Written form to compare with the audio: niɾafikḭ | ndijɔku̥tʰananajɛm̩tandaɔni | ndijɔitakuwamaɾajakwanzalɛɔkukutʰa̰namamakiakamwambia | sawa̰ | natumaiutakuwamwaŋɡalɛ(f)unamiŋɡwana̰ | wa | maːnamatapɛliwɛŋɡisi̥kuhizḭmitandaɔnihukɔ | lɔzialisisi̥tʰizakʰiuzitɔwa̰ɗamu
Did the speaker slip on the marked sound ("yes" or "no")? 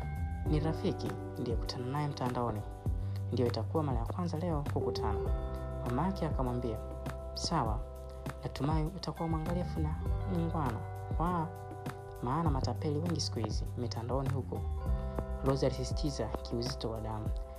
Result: no